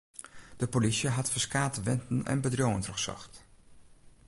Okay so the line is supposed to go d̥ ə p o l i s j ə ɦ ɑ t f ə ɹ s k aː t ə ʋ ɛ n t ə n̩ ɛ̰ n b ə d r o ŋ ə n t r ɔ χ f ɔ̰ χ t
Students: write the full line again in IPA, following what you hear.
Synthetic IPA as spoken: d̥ ə p o l i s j ə ɦ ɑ t f ə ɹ s k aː t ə ʋ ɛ n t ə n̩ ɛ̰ n b ə d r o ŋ ə n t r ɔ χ s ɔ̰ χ t